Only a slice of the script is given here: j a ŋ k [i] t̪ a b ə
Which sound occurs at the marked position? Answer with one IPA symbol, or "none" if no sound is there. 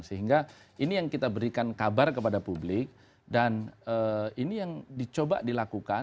i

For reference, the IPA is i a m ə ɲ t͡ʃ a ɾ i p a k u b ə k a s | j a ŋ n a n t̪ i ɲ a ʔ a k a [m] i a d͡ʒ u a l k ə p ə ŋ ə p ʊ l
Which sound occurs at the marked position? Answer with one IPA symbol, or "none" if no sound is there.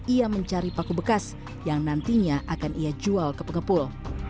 n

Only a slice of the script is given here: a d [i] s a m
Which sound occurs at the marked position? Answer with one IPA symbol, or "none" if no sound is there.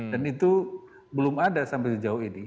a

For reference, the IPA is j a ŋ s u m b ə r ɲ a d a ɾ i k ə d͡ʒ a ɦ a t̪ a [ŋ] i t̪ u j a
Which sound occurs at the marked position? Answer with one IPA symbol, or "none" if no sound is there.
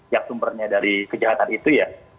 n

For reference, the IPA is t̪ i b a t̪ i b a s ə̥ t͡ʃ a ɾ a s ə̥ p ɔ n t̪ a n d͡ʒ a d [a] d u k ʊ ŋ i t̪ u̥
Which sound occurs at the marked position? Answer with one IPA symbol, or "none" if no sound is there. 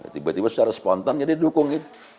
i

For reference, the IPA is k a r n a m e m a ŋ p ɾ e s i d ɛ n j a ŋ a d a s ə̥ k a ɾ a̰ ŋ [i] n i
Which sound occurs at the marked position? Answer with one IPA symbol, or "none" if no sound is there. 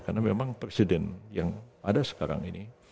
i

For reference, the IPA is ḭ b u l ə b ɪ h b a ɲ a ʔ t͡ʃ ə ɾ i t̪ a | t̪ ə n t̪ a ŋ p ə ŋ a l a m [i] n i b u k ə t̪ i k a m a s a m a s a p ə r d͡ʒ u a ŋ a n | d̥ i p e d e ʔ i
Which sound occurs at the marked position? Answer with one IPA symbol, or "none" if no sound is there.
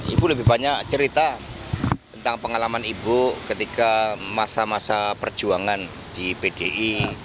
a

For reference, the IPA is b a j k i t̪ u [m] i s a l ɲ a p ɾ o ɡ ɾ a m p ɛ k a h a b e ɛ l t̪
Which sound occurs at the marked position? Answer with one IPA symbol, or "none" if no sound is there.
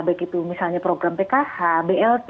m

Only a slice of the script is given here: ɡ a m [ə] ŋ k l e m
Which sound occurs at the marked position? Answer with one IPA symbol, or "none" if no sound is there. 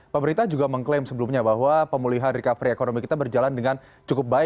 ə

